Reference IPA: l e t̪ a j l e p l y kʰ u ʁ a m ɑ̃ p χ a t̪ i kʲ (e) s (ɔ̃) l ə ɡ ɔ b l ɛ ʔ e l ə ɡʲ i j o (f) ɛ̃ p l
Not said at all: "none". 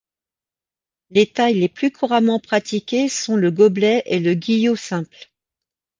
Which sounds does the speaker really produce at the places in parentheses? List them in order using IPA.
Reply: e, ɔ̃, s

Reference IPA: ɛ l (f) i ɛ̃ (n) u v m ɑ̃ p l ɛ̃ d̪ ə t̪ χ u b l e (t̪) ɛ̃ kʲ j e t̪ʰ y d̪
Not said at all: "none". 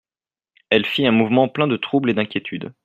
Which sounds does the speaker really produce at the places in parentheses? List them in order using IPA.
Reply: f, m, d̪

